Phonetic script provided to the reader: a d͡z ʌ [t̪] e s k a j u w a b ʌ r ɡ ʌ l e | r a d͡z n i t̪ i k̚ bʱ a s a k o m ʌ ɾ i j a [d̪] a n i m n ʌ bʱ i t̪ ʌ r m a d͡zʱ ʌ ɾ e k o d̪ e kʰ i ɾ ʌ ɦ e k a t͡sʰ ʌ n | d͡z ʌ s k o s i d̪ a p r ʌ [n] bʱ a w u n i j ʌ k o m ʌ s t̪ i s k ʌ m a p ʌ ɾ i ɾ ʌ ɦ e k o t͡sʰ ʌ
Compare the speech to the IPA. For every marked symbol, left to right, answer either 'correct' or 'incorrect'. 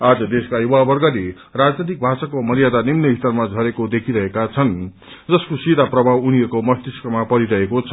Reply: incorrect, correct, incorrect

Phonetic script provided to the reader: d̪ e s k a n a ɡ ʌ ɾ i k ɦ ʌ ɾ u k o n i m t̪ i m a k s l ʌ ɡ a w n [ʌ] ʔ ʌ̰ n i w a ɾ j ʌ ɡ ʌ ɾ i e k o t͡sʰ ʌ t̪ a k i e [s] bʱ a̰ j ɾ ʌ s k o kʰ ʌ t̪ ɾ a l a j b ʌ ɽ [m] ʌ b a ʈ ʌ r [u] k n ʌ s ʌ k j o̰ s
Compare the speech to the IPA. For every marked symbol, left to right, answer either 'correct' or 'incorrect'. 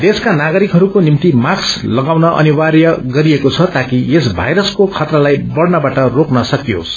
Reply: correct, correct, incorrect, incorrect

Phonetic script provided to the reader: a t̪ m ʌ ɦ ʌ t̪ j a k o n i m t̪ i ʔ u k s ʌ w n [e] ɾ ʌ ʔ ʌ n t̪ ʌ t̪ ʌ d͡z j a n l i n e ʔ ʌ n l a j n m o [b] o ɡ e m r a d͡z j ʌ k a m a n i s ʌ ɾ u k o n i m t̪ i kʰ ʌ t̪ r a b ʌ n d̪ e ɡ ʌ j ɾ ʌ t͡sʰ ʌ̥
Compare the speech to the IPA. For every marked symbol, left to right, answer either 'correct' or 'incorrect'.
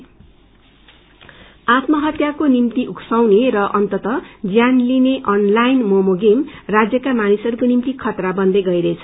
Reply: correct, incorrect

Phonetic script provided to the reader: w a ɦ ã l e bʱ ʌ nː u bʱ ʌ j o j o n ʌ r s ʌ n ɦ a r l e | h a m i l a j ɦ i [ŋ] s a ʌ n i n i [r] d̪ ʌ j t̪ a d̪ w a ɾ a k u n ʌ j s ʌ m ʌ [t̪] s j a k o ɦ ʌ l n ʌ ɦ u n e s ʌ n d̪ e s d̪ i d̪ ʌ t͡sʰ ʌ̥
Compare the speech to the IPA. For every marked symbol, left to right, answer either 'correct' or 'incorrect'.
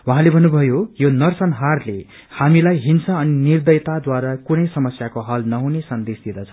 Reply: incorrect, correct, incorrect

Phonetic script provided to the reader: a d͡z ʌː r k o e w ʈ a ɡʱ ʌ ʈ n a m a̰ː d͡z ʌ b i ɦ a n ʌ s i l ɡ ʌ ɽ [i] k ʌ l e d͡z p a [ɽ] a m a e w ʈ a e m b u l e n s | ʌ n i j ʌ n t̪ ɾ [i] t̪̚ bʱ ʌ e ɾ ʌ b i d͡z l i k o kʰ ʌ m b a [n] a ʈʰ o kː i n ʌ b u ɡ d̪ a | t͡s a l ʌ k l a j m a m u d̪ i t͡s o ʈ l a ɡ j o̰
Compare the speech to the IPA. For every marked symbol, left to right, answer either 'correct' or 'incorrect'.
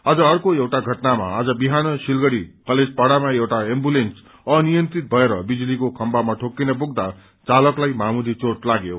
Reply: correct, correct, correct, incorrect

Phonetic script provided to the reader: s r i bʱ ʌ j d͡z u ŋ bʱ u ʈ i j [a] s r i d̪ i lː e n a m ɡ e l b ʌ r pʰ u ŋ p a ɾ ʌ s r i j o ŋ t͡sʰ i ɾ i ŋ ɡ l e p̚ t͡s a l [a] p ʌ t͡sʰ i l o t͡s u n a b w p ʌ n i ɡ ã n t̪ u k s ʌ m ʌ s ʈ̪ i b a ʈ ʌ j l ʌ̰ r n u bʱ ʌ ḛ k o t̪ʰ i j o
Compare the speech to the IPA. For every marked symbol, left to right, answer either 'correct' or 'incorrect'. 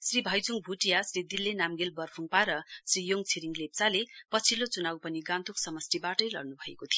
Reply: correct, incorrect

